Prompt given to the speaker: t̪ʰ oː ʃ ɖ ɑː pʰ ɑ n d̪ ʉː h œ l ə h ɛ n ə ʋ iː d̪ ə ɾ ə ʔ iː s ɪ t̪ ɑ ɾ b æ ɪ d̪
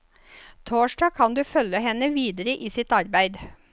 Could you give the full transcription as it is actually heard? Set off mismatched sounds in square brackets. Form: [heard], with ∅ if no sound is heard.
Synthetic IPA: t̪ʰ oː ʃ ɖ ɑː [kʰ] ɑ n d̪ ʉː [f] œ l ə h ɛ n ə ʋ iː d̪ ə ɾ ə ʔ iː s ɪ t̪ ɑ ɾ b æ ɪ d̪